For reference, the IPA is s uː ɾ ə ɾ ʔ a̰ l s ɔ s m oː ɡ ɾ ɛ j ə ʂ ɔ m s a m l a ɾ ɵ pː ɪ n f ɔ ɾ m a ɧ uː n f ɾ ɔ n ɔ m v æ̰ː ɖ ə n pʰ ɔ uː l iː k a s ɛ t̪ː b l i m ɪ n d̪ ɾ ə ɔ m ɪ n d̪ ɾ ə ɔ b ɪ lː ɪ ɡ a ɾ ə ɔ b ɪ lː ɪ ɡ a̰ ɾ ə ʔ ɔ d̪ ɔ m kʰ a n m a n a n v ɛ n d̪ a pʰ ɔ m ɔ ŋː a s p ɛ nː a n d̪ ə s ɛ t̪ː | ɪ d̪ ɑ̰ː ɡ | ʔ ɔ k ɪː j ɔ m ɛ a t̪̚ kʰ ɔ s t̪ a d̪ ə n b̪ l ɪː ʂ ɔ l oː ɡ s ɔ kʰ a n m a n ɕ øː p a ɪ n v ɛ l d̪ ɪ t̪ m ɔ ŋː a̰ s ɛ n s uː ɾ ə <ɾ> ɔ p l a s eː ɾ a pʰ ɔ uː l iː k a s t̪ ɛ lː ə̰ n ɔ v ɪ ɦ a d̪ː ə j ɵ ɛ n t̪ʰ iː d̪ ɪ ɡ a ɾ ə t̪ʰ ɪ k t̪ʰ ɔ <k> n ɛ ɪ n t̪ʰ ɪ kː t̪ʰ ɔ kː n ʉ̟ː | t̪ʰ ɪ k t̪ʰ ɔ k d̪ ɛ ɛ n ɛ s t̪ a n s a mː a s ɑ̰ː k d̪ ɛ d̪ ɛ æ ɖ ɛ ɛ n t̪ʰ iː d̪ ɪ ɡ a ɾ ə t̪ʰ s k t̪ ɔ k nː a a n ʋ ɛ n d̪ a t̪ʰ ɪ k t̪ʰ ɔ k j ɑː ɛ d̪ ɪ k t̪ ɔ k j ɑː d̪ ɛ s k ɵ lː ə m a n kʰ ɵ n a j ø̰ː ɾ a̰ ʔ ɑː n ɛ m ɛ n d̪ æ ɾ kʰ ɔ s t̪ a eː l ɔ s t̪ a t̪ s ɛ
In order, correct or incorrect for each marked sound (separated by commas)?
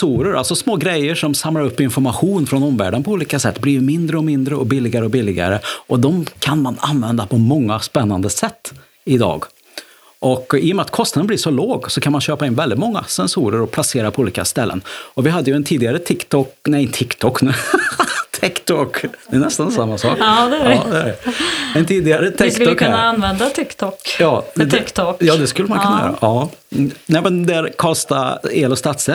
correct, correct